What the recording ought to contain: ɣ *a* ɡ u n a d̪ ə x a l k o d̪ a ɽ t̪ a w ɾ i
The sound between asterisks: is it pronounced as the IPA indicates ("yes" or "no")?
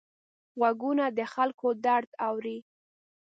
yes